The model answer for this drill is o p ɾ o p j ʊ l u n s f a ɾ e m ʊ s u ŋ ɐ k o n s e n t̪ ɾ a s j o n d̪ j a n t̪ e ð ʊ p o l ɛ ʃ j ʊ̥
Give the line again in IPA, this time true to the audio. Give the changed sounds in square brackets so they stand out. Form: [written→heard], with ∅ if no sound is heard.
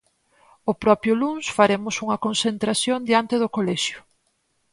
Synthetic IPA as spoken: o p ɾ [o→ɔ] p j ʊ l u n s f a ɾ e m ʊ s u ŋ ɐ k o n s e n t̪ ɾ a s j o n d̪ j a n t̪ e ð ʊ [p→k] o l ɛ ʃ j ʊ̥